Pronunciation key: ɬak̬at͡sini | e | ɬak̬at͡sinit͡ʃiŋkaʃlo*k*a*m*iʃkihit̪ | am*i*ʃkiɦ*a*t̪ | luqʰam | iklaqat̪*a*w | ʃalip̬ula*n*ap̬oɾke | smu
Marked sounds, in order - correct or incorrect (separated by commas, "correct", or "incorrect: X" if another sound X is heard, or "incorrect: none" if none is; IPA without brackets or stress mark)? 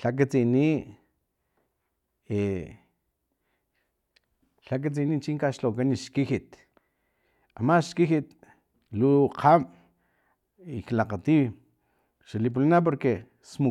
correct, incorrect: n, incorrect: a, incorrect: i, incorrect: i, correct